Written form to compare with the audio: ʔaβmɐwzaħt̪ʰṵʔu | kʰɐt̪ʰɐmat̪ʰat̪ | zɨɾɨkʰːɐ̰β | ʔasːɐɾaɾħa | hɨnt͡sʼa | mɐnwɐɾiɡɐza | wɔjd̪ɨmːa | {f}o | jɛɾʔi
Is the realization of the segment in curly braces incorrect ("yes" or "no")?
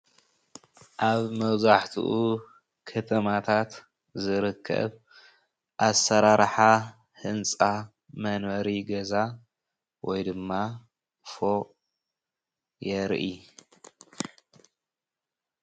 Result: no